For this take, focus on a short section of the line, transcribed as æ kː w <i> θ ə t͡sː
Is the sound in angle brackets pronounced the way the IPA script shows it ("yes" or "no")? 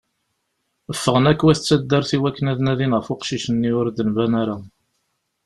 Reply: no